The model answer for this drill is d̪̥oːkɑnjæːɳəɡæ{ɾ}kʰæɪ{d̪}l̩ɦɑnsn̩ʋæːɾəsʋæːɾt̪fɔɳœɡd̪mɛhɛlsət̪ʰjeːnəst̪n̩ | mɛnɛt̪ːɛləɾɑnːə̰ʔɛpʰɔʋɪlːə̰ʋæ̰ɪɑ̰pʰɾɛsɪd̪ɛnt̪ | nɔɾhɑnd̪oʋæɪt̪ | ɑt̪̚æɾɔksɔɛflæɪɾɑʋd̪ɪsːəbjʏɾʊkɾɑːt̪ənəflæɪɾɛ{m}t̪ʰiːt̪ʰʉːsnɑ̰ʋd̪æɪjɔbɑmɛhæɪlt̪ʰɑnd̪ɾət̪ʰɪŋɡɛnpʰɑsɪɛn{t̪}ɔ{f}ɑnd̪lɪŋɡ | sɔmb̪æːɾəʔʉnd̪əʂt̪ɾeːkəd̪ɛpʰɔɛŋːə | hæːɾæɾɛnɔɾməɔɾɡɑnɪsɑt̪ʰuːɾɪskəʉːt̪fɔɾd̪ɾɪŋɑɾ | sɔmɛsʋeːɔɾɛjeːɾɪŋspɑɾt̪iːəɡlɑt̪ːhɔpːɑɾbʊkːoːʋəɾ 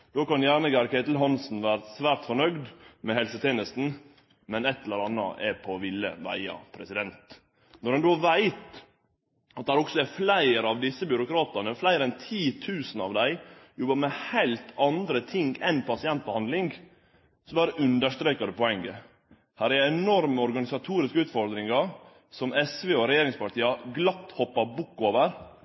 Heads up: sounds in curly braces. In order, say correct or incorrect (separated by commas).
correct, incorrect, incorrect, correct, incorrect